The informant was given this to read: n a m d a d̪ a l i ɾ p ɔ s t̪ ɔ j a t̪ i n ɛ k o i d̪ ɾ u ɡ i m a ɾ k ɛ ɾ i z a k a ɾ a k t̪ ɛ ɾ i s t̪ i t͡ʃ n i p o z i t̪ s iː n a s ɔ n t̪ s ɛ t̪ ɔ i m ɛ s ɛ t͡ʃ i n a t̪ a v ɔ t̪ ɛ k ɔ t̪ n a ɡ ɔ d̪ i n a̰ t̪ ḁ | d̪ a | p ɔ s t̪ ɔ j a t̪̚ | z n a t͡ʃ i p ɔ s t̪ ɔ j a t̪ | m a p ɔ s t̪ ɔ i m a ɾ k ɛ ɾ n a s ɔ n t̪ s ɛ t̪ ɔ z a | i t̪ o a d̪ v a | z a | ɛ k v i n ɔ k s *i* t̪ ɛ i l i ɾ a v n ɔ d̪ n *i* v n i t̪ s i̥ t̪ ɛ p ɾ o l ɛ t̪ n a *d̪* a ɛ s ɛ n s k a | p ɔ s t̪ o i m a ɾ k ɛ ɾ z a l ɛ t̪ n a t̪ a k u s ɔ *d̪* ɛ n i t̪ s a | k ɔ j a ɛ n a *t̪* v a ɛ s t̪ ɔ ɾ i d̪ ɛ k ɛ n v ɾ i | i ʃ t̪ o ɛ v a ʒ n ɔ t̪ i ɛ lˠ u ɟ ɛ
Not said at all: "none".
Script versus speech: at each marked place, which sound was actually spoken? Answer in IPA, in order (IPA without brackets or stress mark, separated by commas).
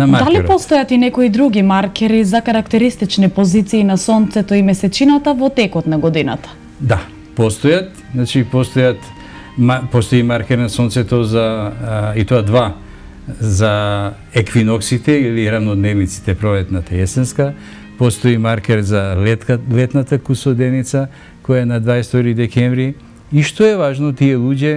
i, ɛ, t̪, d̪, d̪